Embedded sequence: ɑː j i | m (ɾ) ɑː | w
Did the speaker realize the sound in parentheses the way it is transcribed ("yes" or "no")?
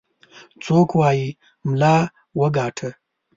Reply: no